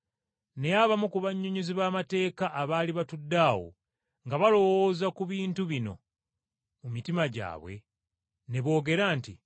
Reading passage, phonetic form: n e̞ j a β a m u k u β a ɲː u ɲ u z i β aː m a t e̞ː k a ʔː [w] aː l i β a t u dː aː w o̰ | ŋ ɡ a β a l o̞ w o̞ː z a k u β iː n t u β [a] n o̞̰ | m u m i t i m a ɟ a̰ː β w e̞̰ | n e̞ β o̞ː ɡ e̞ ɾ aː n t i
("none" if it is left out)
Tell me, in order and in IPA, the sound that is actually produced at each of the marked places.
β, i

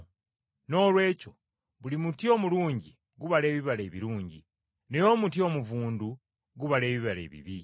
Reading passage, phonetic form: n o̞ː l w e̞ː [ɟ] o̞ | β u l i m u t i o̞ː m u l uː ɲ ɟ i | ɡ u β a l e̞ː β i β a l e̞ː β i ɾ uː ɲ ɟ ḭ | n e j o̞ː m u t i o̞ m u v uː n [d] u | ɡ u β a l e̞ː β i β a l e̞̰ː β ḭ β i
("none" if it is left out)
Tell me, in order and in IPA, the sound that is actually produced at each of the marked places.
c, d

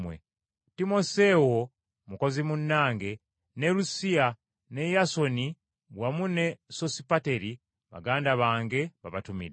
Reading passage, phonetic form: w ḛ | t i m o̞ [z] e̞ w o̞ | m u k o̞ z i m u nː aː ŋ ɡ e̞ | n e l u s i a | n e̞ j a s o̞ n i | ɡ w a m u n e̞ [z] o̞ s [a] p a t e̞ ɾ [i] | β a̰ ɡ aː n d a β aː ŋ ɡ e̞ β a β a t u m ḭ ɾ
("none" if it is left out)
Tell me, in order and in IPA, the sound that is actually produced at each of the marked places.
s, s, i, i

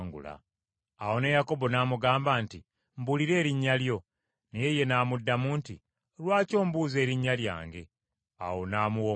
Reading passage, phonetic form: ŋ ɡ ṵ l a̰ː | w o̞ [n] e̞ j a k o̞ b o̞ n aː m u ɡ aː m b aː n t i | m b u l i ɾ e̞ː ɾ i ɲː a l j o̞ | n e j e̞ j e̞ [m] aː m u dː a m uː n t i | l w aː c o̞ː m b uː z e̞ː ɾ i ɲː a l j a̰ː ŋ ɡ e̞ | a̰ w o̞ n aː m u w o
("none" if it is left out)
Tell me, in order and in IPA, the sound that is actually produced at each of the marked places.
n, n

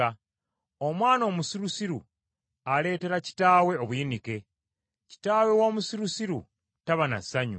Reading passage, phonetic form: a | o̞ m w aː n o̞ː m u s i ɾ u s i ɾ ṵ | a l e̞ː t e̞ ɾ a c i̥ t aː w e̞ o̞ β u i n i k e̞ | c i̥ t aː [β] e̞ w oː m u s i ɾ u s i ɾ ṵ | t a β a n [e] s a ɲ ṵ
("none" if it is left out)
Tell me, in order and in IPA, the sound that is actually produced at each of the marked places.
w, a

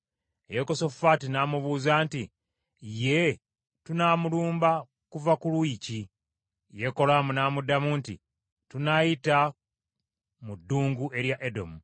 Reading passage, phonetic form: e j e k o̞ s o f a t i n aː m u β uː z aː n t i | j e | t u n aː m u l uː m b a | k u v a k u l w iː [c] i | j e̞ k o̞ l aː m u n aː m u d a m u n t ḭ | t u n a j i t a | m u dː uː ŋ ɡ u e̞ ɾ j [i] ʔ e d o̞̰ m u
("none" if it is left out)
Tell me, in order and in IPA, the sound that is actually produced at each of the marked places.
c, a

